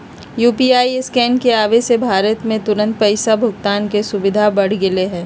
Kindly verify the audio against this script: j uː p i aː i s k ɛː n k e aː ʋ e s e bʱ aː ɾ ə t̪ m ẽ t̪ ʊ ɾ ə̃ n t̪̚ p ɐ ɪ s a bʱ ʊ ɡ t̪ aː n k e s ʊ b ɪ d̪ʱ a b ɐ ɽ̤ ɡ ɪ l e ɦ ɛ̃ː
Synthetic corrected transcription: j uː p i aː i s k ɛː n k e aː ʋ e s e bʱ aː ɾ ə t̪ m ẽ t̪ ʊ ɾ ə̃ n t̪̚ p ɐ ɪ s a bʱ ʊ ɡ t̪ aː n k e s ʊ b ɪ d̪ʱ a b ɐ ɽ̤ ɡ ɪ l e ɦ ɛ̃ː

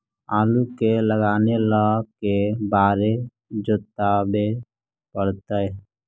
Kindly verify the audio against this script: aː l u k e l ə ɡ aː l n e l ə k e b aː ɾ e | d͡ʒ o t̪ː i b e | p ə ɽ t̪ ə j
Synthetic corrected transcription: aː l u k e l ə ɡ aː n e l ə k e b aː ɾ e | d͡ʒ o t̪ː a b e | p ə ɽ t̪ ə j

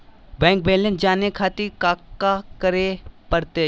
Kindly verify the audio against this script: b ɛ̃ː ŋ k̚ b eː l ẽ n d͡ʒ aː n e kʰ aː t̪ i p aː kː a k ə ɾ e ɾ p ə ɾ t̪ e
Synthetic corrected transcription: b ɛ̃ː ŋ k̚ b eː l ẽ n d͡ʒ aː n e kʰ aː t̪ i k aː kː a k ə ɾ e p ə ɾ t̪ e

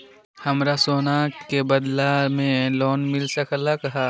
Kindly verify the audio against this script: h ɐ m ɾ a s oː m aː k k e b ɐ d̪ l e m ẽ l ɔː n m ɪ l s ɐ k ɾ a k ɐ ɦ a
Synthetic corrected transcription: h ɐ m ɾ a s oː n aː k k e b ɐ d̪ l a m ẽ l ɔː n m ɪ l s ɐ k l a k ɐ ɦ a

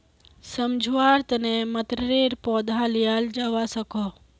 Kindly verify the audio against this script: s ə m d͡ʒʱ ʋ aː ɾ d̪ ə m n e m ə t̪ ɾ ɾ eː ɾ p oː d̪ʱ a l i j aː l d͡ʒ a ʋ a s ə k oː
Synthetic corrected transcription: s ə m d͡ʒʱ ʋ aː ɾ t̪ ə n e m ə t̪ ɾ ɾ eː ɾ p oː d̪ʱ a l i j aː l d͡ʒ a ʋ a s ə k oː

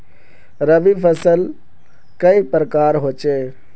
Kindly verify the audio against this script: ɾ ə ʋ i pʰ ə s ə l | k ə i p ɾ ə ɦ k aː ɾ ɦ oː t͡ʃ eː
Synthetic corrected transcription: ɾ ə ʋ i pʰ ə s ə l | k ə i p ɾ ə k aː ɾ ɦ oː t͡ʃ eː

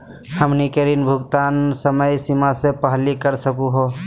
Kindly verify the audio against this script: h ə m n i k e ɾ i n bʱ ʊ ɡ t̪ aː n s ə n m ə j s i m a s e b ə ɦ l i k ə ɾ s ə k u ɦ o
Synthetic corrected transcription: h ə m n i k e ɾ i n bʱ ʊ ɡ t̪ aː n s ə m ə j s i m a s e p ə ɦ l i k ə ɾ s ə k u ɦ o

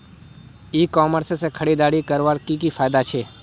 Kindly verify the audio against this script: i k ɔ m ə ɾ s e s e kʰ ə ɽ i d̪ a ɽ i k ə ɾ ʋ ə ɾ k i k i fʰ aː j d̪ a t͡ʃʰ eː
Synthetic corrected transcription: i k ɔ m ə ɾ s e s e kʰ ə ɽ i d̪ a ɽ i k ə ɾ ʋ a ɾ k i k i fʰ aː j d̪ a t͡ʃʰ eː

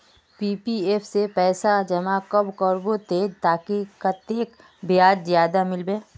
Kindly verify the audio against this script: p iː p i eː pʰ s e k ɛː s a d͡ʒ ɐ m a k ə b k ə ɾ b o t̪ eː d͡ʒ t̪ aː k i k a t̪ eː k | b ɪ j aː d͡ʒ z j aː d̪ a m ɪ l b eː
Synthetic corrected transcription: p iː p i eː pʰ s e p ɛː s a d͡ʒ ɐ m a k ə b k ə ɾ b o t̪ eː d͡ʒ t̪ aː k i k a t̪ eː k | b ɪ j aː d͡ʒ z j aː d̪ a m ɪ l b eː

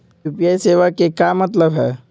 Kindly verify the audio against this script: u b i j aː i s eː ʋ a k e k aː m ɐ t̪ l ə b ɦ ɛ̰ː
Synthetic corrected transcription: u p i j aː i s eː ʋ a k e k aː m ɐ t̪ l ə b ɦ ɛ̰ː

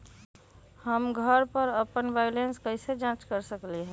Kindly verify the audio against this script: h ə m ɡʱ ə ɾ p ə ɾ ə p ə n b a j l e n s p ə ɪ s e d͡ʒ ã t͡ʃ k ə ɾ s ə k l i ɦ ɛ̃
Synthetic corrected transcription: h ə m ɡʱ ə ɾ p ə ɾ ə p ə n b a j l e n s k ə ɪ s e d͡ʒ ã t͡ʃ k ə ɾ s ə k l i ɦ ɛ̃

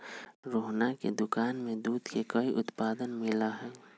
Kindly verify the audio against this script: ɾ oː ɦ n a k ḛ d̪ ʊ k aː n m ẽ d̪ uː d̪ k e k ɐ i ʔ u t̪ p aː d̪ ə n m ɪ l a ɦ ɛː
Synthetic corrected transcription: ɾ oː ɦ n a k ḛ d̪ ʊ k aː n m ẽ d̪ uː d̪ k e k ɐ i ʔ ʊ t̪ p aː d̪ ə n m ɪ l a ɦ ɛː

